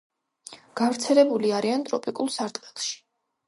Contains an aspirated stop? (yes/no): no